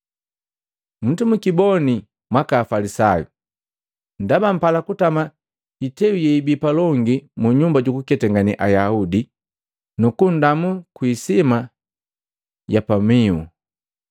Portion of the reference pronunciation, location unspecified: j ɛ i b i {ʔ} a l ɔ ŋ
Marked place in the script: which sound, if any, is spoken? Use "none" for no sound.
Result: p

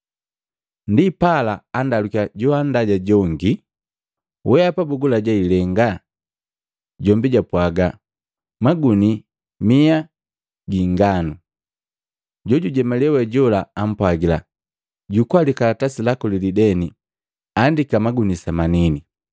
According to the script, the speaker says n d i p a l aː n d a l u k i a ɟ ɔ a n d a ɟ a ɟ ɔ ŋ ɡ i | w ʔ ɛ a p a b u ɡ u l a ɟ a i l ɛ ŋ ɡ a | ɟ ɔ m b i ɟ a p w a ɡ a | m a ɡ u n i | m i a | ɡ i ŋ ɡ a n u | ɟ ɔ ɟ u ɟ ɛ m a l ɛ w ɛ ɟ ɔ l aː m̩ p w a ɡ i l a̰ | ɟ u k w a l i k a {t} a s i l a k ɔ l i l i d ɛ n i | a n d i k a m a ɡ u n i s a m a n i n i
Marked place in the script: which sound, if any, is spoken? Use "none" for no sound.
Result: t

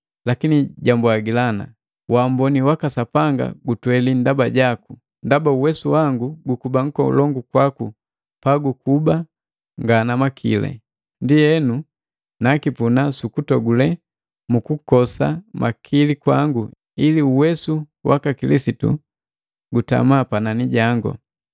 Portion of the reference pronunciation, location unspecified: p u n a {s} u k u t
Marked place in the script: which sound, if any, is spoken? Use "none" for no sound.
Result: s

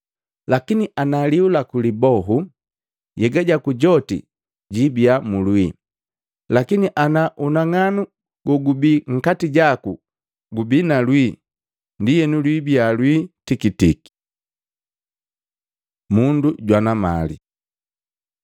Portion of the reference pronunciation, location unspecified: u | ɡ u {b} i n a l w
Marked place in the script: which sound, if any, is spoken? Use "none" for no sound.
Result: b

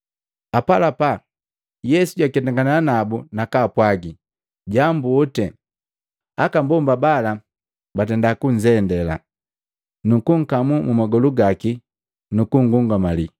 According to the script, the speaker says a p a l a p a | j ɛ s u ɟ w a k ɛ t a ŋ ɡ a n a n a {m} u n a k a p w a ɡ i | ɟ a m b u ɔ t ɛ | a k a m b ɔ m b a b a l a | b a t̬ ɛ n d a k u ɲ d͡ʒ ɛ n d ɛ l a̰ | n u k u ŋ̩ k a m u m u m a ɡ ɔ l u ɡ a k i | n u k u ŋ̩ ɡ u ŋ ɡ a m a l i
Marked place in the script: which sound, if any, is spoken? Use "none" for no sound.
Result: b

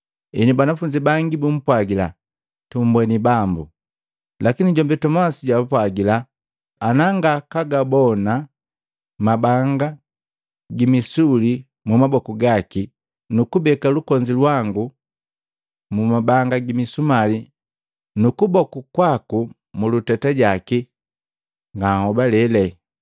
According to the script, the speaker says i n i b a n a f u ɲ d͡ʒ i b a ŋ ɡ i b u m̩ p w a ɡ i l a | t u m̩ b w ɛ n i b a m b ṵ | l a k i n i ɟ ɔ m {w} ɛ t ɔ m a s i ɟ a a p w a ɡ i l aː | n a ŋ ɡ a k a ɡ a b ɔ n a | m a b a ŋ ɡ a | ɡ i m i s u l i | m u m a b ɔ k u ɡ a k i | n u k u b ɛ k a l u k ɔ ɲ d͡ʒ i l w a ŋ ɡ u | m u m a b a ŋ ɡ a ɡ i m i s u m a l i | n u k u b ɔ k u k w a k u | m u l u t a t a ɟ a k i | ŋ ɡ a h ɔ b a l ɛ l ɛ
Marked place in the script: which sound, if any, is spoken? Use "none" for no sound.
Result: b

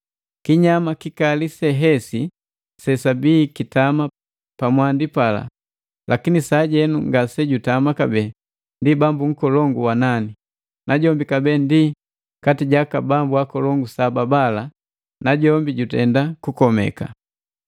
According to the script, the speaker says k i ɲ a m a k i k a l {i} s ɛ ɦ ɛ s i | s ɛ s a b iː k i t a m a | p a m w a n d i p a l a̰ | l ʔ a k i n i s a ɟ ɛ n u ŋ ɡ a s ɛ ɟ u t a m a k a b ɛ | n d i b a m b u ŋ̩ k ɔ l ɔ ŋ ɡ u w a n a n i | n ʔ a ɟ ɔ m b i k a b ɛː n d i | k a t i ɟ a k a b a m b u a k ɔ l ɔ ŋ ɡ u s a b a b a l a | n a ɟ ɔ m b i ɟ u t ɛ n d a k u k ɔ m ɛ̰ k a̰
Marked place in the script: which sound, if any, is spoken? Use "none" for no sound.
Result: i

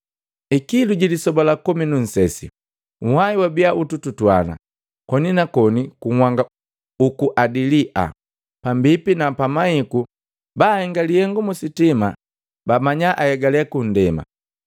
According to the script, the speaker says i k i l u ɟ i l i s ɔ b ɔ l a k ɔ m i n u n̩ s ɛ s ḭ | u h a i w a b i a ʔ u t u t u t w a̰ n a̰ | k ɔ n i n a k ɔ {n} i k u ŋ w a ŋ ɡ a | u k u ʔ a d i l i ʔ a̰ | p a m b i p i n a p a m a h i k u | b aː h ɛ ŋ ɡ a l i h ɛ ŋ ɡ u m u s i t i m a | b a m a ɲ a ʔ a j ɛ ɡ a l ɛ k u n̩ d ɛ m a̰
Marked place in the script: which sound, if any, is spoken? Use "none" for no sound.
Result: n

